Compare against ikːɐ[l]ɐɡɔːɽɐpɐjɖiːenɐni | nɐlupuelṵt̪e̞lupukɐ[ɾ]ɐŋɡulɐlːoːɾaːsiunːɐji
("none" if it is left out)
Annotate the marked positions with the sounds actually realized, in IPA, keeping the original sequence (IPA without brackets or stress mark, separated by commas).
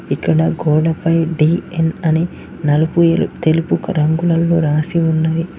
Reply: ɽ, ɾ